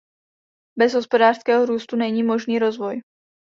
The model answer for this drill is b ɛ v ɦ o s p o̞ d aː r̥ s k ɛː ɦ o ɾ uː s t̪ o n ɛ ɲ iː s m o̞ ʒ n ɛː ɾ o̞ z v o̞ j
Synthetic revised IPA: b ɛ z ɦ o s p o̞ d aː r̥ s k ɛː ɦ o ɾ uː s t̪ u n ɛ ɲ iː m o̞ ʒ n iː ɾ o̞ z v o̞ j